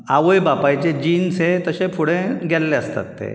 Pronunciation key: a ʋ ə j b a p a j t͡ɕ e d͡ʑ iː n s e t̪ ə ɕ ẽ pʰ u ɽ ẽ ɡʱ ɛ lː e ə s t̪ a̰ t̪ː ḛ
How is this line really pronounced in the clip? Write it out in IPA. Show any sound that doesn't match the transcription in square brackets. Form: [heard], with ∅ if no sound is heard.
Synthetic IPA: a ʋ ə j b a p a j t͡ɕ e d͡ʑ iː n s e t̪ ə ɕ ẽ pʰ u ɽ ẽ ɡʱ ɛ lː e ə s t̪ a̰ t̪ː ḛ

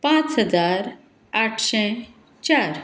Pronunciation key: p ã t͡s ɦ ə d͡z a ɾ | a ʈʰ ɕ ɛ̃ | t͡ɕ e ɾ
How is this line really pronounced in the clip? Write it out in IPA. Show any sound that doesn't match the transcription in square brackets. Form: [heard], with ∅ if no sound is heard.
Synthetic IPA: p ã t͡s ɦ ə d͡z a ɾ | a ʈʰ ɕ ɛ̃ | t͡ɕ [a] ɾ

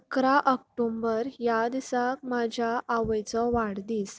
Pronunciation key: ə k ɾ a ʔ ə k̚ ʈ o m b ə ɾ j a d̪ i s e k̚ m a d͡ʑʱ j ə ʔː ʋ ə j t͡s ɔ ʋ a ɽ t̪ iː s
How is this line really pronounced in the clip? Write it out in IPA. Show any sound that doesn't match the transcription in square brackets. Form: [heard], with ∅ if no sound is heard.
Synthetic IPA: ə k ɾ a ʔ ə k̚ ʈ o m b ə ɾ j a d̪ i s [a] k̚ m a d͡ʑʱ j [a] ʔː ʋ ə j t͡s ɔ ʋ a ɽ [d̪] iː s

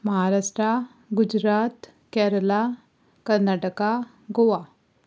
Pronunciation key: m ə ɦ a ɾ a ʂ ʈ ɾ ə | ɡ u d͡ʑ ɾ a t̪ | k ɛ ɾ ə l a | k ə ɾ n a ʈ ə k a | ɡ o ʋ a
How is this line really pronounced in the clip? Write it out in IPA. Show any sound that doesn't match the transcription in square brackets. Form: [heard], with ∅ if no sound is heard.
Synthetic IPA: m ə ɦ a ɾ a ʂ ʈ ɾ [a] | ɡ u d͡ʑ ɾ a t̪ | k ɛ ɾ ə l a | k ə ɾ n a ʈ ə k a | ɡ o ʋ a

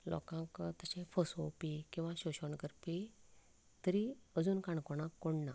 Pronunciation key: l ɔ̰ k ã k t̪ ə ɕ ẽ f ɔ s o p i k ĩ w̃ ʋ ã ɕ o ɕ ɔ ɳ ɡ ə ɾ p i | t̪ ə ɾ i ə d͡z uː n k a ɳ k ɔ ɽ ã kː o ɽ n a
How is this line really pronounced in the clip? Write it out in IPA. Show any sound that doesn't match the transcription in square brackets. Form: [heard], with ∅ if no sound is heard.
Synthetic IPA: l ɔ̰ k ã k t̪ ə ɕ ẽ f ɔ s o p i k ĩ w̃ ʋ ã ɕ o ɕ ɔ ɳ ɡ ə ɾ p i | t̪ ə ɾ i ə d͡z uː n k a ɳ k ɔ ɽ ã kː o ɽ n a

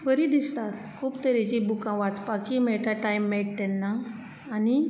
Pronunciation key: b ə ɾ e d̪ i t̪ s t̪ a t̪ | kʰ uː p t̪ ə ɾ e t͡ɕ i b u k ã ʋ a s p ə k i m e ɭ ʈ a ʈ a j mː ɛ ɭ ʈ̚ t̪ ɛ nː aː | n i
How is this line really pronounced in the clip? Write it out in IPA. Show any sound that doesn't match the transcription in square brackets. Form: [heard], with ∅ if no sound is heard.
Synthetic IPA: b ə ɾ [i] d̪ i [∅] s t̪ a t̪ | kʰ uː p t̪ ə ɾ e t͡ɕ i b u k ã ʋ a [t͡s] p [a] k i m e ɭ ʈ a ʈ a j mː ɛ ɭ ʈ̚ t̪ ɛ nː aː | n i

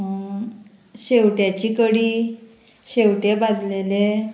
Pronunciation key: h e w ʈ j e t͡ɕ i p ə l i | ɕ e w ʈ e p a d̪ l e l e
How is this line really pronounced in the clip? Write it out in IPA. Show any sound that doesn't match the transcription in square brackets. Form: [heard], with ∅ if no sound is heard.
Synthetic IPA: [ɕ] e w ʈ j [a] t͡ɕ i [k] ə [ɽ] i | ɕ e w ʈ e [b] a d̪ l e l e

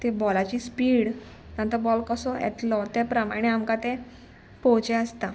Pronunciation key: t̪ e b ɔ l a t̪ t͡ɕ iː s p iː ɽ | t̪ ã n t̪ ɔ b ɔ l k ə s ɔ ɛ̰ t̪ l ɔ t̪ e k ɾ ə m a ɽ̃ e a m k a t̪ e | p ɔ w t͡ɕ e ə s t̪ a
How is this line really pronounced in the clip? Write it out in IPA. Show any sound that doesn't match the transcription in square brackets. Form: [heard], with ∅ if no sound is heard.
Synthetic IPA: t̪ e b ɔ l a [∅] t͡ɕ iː s p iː ɽ | t̪ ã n t̪ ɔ b ɔ l k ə s ɔ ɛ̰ t̪ l ɔ t̪ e [p] ɾ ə m a ɽ̃ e a m k a t̪ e | p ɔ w t͡ɕ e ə s t̪ a

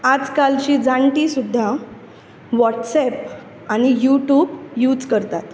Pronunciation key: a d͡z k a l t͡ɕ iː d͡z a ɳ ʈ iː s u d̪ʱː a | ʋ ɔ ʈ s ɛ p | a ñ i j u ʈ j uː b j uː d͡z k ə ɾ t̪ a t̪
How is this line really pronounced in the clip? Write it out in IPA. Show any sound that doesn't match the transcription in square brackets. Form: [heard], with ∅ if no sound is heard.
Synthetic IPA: a d͡z k a l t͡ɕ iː d͡z a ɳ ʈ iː s u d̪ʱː a | ʋ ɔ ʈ s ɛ p | a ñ i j u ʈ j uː b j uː d͡z k ə ɾ t̪ a t̪

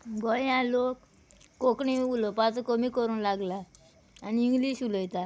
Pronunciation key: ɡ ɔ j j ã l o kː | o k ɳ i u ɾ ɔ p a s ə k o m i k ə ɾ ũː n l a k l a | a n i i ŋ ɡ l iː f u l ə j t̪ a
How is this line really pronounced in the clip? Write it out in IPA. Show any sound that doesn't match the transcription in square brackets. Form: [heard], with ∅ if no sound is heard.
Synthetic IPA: ɡ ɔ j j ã l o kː | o k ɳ i u [l] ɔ p a [t͡s] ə k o m i k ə ɾ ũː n l a [ɡ] l a | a n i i ŋ ɡ l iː [ɕ] u l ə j t̪ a

